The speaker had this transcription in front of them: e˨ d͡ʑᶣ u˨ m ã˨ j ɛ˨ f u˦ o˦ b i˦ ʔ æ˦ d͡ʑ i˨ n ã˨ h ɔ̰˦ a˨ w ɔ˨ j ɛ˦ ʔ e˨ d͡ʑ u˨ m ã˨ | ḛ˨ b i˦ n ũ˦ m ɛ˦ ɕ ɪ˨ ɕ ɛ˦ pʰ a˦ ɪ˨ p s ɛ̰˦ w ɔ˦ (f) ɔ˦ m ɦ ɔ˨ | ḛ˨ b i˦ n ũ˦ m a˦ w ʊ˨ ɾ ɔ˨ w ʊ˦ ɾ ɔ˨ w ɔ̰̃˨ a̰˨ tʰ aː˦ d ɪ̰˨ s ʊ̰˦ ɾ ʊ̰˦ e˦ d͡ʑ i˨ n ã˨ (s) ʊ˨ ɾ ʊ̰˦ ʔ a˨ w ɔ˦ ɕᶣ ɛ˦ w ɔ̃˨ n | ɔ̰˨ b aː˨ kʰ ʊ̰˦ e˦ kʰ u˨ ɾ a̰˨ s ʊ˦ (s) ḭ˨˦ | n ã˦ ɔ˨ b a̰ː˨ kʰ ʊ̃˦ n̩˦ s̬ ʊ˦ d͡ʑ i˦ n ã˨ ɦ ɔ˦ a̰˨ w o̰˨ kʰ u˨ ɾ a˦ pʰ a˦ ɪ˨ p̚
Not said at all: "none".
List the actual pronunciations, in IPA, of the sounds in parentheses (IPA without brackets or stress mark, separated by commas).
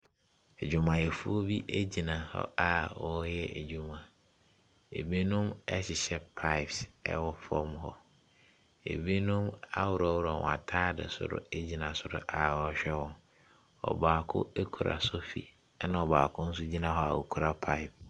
f, s, f